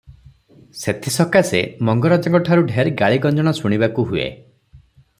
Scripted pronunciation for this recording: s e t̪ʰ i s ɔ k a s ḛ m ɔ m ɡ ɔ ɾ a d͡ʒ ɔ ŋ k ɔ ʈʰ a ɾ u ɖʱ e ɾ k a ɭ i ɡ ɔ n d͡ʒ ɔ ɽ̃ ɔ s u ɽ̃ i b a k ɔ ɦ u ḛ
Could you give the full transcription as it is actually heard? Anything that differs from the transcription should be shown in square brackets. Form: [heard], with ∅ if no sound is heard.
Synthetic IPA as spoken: s e t̪ʰ i s ɔ k a s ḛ m ɔ [ŋ] ɡ ɔ ɾ a d͡ʒ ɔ ŋ k ɔ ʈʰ a ɾ u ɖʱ e ɾ [ɡ] a ɭ i ɡ ɔ n d͡ʒ ɔ ɽ̃ ɔ s u ɽ̃ i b a k [u] ɦ u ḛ